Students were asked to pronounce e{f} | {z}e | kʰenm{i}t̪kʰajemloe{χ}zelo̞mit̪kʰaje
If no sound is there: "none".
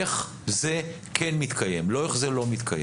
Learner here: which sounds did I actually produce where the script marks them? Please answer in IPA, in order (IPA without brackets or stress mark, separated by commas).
χ, z, i, χ